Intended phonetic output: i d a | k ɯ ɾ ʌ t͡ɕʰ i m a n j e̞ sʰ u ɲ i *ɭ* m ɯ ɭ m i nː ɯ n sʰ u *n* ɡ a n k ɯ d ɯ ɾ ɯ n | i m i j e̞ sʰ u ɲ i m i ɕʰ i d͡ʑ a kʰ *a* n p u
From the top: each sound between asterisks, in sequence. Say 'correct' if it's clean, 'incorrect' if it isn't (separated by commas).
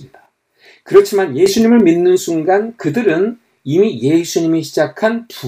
incorrect, incorrect, correct